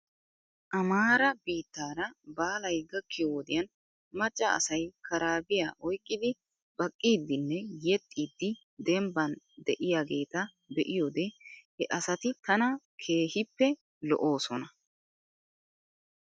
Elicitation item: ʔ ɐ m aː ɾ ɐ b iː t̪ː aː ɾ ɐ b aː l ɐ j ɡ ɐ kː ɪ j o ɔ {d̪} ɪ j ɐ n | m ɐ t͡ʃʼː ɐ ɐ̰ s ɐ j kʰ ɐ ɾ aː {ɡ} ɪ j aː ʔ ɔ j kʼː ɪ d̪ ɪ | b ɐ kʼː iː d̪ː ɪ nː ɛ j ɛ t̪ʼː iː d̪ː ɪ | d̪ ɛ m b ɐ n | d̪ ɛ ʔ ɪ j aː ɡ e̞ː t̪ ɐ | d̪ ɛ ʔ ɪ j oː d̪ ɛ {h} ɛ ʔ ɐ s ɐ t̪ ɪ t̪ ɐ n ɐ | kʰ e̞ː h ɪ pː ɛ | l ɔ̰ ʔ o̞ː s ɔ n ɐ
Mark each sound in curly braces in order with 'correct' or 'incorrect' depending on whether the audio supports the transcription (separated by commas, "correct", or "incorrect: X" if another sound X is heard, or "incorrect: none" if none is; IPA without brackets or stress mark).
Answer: correct, incorrect: b, correct